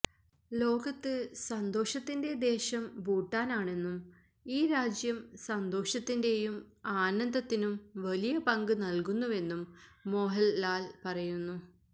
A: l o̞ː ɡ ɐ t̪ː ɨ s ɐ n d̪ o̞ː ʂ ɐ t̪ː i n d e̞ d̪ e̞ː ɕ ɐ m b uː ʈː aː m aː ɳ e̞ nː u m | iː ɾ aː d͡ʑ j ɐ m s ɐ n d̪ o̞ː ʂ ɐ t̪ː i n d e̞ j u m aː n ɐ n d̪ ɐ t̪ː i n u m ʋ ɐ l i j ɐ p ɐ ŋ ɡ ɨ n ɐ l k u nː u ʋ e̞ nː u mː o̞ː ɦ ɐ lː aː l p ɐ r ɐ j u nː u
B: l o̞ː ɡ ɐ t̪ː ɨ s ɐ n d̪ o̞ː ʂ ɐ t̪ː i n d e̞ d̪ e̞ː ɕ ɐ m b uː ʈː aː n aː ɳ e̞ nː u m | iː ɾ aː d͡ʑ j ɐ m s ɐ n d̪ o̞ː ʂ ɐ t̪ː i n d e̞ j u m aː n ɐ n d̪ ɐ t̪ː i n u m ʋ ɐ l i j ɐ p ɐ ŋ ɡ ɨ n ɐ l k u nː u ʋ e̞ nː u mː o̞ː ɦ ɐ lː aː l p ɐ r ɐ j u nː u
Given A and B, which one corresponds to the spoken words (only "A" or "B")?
B